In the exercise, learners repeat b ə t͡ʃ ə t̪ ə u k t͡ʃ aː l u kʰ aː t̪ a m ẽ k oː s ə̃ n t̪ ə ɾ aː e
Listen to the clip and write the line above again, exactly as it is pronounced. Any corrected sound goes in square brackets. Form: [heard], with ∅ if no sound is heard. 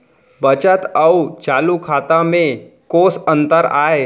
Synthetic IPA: b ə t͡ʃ ə t̪ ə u [∅] t͡ʃ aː l u kʰ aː t̪ a m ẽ k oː s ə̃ n t̪ ə ɾ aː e